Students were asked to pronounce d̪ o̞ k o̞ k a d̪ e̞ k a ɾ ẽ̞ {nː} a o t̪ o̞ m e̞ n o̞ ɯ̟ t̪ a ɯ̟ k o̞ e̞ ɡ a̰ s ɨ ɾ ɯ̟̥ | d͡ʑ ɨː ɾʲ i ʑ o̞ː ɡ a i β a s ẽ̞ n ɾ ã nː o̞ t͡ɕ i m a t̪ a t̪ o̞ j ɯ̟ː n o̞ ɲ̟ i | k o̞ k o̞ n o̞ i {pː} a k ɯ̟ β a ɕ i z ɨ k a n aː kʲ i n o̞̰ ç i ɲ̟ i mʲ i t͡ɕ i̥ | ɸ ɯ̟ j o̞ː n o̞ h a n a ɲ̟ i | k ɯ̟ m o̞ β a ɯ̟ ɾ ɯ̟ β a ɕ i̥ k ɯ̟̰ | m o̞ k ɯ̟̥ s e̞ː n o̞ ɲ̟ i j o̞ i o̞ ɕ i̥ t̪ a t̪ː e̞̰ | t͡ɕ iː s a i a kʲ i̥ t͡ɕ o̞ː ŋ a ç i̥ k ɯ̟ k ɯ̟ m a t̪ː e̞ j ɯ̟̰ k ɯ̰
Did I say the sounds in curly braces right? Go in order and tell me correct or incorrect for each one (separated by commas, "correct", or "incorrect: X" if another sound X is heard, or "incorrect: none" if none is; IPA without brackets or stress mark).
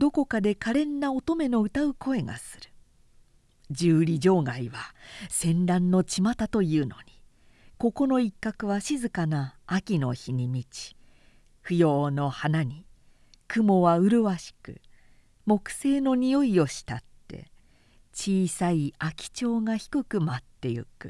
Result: correct, incorrect: kː